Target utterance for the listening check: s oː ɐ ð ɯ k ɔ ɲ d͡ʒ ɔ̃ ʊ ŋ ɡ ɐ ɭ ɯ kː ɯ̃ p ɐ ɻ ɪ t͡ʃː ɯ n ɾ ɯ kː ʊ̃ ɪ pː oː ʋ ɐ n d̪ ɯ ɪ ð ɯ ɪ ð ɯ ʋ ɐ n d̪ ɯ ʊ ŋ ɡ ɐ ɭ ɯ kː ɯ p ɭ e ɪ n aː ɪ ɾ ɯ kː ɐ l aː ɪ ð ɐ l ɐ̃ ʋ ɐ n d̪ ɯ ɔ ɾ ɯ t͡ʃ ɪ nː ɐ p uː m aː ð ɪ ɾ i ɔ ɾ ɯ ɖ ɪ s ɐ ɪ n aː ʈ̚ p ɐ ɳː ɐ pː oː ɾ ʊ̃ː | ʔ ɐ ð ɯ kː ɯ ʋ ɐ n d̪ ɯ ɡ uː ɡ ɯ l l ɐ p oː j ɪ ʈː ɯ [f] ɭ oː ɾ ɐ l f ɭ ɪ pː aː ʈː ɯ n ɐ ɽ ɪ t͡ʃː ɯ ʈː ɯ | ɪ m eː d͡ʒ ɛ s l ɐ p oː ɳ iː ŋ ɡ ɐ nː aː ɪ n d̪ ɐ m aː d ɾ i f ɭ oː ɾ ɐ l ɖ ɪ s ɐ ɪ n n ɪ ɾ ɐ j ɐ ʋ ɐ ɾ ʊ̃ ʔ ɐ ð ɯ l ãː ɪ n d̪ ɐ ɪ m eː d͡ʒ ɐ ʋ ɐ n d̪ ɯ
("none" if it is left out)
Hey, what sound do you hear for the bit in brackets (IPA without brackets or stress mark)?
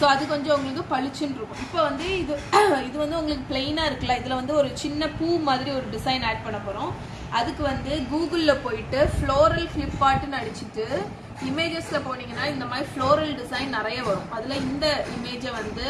f